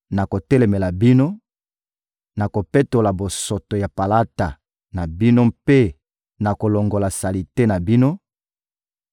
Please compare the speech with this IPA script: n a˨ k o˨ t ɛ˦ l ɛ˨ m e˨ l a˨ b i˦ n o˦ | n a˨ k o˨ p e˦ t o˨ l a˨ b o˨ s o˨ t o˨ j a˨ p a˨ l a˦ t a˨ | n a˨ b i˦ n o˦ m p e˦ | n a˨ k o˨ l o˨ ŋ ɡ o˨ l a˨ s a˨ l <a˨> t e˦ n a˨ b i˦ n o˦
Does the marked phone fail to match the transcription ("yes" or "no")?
yes